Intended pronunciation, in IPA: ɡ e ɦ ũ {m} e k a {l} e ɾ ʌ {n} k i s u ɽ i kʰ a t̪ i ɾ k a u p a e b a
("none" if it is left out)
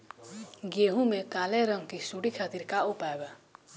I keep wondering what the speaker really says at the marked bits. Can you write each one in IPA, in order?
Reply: m, l, ŋ

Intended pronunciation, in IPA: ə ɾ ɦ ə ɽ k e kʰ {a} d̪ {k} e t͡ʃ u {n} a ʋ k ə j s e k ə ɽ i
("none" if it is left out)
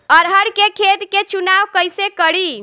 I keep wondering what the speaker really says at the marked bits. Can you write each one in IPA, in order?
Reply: e, k, n

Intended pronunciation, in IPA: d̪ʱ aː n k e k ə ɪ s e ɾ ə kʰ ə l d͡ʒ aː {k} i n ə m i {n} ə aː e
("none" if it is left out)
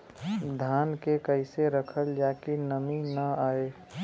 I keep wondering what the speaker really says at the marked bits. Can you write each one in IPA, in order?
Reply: k, n

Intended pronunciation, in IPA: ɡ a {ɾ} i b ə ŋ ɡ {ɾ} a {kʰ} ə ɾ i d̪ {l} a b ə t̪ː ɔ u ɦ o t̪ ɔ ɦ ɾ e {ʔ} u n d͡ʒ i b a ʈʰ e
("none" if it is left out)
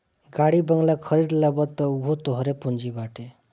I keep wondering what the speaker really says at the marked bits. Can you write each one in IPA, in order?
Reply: ɽ, l, kʰ, l, p

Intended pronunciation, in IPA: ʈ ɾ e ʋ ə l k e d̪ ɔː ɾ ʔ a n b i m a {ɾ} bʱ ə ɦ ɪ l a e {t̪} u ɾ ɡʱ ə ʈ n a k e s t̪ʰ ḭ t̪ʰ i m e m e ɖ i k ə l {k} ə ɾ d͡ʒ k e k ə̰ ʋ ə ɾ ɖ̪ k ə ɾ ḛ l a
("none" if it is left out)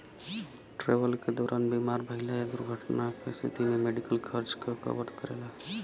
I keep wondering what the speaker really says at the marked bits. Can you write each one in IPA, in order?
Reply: ɾ, d̪, kʰ

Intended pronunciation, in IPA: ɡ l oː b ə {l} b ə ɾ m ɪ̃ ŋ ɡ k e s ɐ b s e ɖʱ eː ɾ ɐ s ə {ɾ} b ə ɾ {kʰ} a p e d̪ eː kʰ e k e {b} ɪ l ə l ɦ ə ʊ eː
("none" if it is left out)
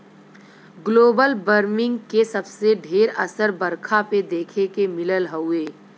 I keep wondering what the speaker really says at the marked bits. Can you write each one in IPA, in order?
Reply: l, ɾ, kʰ, m

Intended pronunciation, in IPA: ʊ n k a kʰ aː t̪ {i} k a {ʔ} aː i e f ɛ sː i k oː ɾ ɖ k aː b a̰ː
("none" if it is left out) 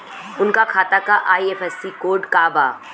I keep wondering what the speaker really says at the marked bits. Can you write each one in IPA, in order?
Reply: a, ʔ

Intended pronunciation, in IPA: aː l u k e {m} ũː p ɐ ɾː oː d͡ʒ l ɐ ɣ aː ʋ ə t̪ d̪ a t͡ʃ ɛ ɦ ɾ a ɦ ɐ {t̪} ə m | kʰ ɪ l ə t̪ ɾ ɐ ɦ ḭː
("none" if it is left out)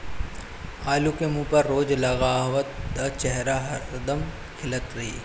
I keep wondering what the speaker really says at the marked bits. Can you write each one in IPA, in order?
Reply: m, d̪

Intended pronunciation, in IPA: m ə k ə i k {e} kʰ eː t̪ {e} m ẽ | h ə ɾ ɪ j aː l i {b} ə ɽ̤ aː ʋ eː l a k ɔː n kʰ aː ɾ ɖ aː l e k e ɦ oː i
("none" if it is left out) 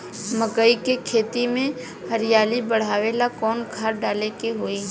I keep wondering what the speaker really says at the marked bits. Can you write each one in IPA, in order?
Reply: e, i, b

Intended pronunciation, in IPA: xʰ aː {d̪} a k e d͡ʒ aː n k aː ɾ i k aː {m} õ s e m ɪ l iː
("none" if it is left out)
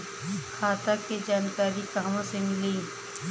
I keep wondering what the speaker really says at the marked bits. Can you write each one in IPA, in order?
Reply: t̪, m

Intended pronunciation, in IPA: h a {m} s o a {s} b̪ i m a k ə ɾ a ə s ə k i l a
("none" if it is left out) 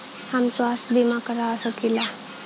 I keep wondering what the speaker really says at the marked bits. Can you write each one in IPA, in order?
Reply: m, s

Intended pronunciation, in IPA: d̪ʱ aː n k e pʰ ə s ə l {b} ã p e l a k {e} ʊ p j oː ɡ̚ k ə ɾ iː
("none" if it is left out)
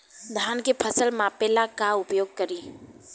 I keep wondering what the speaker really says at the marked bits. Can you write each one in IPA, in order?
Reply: m, a

